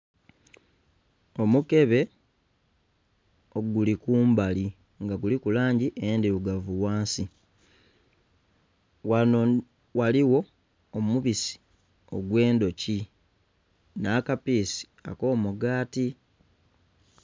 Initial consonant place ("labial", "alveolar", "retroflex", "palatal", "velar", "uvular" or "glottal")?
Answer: labial